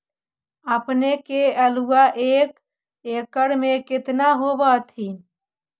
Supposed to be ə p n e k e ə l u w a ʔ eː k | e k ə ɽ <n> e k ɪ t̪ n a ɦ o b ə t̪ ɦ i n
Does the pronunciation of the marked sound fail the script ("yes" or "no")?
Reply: yes